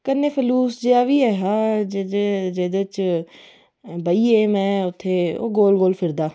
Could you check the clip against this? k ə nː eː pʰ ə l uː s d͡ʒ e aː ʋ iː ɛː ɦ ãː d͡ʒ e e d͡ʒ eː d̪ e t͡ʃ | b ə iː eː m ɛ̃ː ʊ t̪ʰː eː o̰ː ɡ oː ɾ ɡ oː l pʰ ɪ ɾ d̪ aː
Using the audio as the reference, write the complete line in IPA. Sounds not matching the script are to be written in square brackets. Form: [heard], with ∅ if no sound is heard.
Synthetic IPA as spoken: k ə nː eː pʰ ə l uː s d͡ʒ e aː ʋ iː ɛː ɦ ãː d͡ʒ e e d͡ʒ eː d̪ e t͡ʃ | b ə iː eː m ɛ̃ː ʊ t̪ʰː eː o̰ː ɡ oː [l] ɡ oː l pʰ ɪ ɾ d̪ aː